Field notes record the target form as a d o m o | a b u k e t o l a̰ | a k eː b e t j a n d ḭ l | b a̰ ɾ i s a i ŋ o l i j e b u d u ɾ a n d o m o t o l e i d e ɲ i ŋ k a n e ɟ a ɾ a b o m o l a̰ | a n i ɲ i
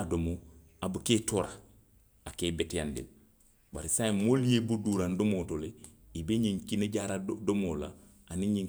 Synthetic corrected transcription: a d o m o | a b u k e t o ɾ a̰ | a k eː b e t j a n d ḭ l | b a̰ ɾ i s a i m o l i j e b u d u ɾ a n d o m o t o l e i b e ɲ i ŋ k i n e ɟ a ɾ a d o m o l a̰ | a n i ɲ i